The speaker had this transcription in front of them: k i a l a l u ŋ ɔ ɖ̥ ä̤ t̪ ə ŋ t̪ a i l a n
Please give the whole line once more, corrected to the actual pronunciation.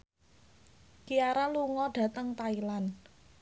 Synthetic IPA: k i a ɾ a l u ŋ ɔ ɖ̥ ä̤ t̪ ə ŋ t̪ a i l a n